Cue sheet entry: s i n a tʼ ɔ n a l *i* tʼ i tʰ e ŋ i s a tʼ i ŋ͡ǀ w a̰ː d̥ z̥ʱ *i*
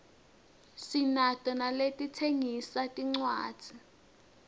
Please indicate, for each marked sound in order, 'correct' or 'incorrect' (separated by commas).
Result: incorrect, correct